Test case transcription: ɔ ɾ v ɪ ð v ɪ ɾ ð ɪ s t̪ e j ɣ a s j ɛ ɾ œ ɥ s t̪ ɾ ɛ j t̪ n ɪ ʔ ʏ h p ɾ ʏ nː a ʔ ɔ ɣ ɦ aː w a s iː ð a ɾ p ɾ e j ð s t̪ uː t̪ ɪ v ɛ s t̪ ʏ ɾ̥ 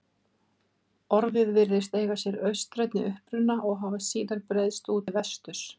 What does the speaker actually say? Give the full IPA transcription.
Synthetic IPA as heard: ɔ ɾ v ɪ ð v ɪ ɾ ð ɪ s t̪ e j ɣ a s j ɛ ɾ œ ɥ s t̪ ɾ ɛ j t̪ n ɪ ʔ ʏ h p ɾ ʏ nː a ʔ ɔ ɣ ɦ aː v a s iː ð a ɾ p ɾ e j ð s t̪ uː t̪ ɪ v ɛ s t̪ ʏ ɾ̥

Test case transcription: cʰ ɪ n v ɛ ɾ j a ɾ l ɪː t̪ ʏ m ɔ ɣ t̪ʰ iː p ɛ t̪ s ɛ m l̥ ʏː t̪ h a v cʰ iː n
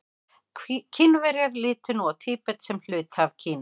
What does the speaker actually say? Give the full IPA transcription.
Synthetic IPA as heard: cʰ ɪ n v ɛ ɾ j a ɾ l ɪː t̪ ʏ n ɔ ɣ t̪ʰ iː p ɛ t̪ s ɛ m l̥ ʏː t̪ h a v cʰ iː n

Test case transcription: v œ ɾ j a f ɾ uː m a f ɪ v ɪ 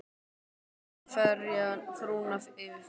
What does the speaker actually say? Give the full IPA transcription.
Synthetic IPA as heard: f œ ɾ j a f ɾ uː n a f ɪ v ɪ

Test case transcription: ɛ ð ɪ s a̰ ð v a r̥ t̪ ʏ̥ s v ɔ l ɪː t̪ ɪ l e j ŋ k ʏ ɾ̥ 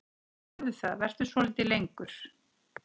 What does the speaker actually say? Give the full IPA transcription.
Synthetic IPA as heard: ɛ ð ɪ θ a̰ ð v ɛ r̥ t̪ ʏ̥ s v ɔ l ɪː t̪ ɪ l e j ŋ k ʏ ɾ̥

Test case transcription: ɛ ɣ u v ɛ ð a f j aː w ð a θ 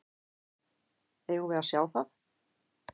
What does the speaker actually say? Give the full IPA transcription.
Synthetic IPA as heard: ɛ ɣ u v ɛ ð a s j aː w θ a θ

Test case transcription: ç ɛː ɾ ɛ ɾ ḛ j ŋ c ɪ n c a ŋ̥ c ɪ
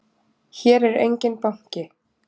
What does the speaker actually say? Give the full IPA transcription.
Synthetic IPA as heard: ç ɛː ɾ ɛ ɾ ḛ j ɲ c ɪ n p a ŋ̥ c ɪ

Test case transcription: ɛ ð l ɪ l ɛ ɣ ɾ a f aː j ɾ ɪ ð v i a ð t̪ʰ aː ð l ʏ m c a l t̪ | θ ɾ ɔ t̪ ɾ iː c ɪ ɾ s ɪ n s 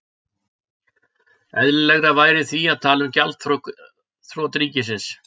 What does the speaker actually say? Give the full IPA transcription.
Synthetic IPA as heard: ɛ ð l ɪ l ɛ ɣ ɾ a v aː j ɾ ɪ θ v i a ð t̪ʰ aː l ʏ m c a l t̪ | θ ɾ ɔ t̪ ɾ iː c ɪ s ɪ n s

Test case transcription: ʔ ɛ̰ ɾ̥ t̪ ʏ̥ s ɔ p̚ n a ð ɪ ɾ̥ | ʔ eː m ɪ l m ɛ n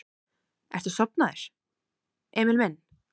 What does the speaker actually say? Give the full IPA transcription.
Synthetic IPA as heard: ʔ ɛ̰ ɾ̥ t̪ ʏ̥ s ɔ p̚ n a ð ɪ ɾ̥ | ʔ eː m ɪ l m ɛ n

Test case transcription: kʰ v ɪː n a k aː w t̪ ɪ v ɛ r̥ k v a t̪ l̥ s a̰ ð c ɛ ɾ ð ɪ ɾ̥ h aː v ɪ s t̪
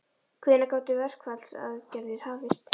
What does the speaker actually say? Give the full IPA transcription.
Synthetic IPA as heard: kʰ v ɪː n a k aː w t̪ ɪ v ɛ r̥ k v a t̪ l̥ s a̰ ð c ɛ ɾ ð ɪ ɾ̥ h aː v ɪ s t̪

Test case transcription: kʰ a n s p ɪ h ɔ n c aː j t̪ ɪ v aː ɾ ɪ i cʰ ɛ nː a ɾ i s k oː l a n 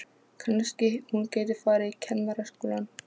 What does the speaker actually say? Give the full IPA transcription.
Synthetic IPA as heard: kʰ a n s c ɪ h u n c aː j t̪ ɪ f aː ɾ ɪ i cʰ ɛ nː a ɾ a s k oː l a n

